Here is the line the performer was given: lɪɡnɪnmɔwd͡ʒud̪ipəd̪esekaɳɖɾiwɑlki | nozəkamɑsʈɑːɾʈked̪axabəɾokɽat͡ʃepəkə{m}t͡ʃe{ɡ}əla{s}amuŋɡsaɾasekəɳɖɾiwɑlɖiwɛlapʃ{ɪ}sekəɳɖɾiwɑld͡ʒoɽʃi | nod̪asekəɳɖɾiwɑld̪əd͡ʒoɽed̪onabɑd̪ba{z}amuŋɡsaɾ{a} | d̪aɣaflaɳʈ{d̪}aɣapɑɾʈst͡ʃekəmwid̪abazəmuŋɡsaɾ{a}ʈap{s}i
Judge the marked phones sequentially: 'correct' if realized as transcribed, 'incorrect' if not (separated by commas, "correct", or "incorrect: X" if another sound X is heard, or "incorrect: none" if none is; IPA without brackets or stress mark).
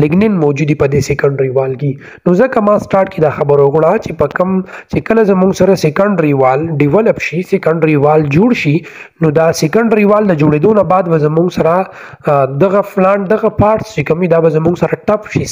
correct, incorrect: k, incorrect: z, incorrect: i, correct, correct, correct, correct, incorrect: ʃ